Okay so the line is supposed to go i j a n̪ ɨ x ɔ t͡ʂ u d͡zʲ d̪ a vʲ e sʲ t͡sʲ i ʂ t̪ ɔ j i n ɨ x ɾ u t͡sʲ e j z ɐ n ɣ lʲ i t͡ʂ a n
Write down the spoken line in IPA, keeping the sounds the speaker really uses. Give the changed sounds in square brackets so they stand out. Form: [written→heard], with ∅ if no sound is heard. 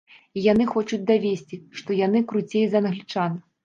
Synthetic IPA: i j a n̪ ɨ x ɔ t͡ʂ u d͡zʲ d̪ a vʲ e sʲ t͡sʲ i ʂ t̪ ɔ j [i→a] n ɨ [x→k] ɾ u t͡sʲ e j z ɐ n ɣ lʲ i t͡ʂ a n